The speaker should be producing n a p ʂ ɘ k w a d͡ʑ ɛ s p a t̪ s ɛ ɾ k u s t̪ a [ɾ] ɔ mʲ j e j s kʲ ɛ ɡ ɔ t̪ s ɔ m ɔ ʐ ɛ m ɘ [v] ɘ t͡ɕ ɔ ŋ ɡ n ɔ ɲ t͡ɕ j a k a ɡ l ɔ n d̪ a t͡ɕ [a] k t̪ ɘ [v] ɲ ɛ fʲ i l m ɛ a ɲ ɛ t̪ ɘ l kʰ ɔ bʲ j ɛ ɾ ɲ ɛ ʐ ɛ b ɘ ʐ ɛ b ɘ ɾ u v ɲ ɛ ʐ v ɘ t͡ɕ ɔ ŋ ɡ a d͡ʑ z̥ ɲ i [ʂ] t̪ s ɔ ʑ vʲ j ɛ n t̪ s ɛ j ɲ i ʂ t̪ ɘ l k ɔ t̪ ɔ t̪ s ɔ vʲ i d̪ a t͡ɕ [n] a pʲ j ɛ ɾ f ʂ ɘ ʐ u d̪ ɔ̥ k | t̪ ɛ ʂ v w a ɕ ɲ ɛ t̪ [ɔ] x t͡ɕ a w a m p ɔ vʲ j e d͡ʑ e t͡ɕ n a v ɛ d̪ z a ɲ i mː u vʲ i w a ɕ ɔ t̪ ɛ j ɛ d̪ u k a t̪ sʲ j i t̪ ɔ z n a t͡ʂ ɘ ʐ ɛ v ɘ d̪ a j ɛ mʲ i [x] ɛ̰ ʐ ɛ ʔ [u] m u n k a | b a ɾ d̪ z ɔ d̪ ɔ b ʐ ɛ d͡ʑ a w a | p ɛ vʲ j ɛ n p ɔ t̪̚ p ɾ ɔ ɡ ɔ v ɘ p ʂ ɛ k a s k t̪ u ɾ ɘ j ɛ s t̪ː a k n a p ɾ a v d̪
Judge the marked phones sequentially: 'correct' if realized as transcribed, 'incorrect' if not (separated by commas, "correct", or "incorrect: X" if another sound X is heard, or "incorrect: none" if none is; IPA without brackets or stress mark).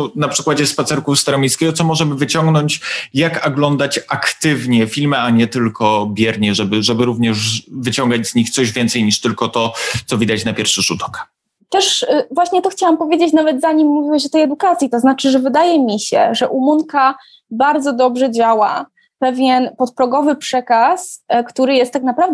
correct, correct, correct, correct, incorrect: x, correct, correct, incorrect: ɕ, correct